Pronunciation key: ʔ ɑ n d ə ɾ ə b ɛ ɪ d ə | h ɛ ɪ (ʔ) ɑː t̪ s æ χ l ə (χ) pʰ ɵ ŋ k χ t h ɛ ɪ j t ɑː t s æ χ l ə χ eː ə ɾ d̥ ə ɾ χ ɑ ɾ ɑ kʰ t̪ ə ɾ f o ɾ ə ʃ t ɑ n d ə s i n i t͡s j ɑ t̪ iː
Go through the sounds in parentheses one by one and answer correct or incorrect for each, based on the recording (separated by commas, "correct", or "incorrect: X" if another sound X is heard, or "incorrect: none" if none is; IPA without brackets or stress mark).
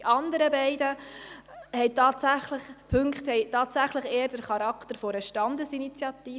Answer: incorrect: t, correct